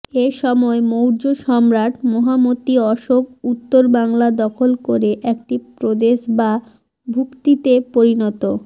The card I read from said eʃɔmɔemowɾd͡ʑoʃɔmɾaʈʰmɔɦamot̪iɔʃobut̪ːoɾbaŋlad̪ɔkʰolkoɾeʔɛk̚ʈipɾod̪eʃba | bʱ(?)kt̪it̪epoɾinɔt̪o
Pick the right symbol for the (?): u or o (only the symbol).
u